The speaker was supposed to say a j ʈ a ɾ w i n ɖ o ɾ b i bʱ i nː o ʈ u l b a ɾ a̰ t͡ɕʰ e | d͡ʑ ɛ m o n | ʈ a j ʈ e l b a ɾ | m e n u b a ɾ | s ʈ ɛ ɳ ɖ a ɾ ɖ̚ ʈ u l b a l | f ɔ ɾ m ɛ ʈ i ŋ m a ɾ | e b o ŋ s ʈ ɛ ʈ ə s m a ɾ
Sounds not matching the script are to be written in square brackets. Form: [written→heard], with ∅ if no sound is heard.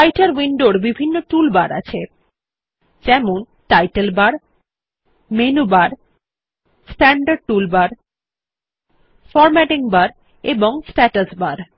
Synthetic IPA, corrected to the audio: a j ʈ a ɾ w i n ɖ o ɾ b i bʱ i nː o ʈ u l b a ɾ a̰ t͡ɕʰ e | d͡ʑ ɛ m o n | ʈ a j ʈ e l b a ɾ | m e n u b a ɾ | s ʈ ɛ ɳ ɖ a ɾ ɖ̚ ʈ u l b a [l→ɾ] | f ɔ ɾ m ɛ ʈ i ŋ [m→b] a ɾ | e b o ŋ s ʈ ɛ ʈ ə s [m→b] a ɾ